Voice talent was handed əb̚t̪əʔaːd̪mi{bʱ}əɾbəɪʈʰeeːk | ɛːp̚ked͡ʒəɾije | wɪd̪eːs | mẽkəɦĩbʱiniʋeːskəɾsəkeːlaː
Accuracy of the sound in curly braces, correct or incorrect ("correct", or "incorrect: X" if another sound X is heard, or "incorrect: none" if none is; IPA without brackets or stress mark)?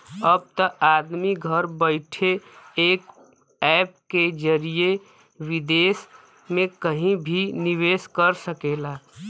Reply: incorrect: ɡʱ